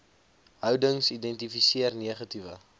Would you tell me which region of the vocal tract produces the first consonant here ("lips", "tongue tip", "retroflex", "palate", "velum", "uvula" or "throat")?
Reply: throat